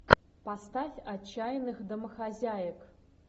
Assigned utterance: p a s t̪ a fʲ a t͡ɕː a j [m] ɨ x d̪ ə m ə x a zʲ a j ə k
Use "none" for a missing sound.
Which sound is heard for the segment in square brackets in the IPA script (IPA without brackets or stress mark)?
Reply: n